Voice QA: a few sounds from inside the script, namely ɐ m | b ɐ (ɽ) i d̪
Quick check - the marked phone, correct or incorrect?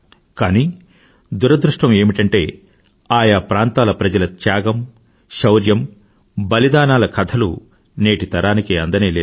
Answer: incorrect